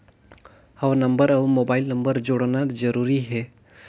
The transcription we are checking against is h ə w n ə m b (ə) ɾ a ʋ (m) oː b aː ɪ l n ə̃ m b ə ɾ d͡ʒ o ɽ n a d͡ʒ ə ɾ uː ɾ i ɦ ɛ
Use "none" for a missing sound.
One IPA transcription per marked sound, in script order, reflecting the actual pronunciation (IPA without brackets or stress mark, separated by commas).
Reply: ə, m